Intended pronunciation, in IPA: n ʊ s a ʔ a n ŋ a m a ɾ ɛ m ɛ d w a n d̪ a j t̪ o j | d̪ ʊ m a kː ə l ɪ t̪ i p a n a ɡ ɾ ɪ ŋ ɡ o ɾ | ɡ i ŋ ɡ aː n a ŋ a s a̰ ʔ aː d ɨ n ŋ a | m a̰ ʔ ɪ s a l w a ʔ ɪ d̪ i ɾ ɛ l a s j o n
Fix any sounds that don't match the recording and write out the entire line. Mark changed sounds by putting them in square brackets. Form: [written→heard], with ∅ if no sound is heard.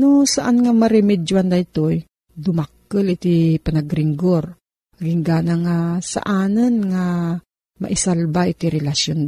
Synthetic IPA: n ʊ s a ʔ a n ŋ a m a ɾ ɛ m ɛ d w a n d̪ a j t̪ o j | d̪ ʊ m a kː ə l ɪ t̪ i p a n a ɡ ɾ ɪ ŋ ɡ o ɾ | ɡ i ŋ ɡ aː n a ŋ a s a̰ ʔ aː [d→n] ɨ n ŋ a | m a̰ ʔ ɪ s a l [w→b] a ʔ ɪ [d̪→t̪] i ɾ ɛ l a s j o n